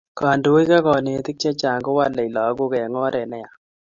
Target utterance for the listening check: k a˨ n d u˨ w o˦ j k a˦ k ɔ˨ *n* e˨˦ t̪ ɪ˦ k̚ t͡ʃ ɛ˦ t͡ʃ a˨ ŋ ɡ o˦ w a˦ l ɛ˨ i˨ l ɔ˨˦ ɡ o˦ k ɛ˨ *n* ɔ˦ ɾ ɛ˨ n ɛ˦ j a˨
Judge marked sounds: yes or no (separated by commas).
yes, no